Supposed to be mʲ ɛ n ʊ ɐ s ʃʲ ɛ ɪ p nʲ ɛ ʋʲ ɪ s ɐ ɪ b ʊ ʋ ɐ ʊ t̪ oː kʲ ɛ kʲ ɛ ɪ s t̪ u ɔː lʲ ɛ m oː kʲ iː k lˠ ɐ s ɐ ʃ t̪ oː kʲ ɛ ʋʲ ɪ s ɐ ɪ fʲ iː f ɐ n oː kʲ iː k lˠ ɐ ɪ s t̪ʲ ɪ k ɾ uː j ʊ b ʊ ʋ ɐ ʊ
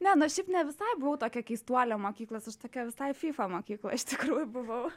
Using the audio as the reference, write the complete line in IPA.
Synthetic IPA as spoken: nʲ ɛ n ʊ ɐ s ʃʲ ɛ ɪ p nʲ ɛ ʋʲ ɪ s ɐ ɪ b ʊ ʋ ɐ ʊ t̪ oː kʲ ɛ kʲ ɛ ɪ s t̪ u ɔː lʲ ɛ m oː kʲ iː k lˠ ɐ s ɐ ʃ t̪ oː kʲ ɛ ʋʲ ɪ s ɐ ɪ fʲ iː f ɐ m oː kʲ iː k lˠ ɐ ɪ ʃ t̪ʲ ɪ k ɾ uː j ʊ b ʊ ʋ ɐ ʊ